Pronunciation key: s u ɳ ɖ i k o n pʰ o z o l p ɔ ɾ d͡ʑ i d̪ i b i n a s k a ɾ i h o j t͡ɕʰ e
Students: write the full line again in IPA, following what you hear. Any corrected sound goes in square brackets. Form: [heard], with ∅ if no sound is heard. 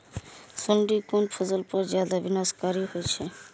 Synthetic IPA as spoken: s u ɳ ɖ i k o n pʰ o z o l p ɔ ɾ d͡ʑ [a] d̪ [a] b i n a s k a ɾ i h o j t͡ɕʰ e